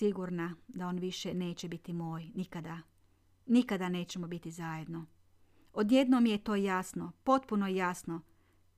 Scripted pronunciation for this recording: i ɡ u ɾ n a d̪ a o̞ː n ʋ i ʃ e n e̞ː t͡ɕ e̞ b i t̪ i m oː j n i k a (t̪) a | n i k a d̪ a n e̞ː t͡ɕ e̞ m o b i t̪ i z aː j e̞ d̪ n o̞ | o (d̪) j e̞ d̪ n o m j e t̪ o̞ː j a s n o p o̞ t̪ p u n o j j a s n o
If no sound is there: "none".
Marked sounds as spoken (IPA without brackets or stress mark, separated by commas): d̪, d̪